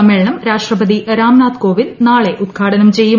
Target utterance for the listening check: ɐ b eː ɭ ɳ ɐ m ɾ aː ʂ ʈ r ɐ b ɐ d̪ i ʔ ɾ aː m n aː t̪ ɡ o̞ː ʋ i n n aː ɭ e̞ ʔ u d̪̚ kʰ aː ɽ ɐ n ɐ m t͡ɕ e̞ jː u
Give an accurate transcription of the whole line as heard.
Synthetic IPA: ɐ m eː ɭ ɳ ɐ m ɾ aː ʂ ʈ r ɐ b ɐ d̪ i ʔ ɾ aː m n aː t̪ k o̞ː ʋ i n n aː ɭ e̞ ʔ u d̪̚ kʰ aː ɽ ɐ n ɐ m t͡ɕ e̞ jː u